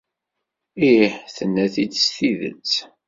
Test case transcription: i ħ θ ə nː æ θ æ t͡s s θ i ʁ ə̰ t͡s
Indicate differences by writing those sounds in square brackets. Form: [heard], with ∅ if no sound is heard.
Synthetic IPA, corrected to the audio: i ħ θ ə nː æ θ [i] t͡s s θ i [ð] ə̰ t͡s